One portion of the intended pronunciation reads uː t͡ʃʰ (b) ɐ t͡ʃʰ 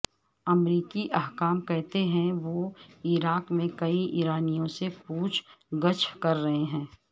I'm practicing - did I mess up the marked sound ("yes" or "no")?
yes